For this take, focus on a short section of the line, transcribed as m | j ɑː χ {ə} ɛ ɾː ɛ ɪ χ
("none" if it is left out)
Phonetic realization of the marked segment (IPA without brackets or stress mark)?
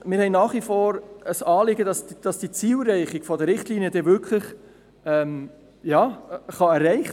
ɑ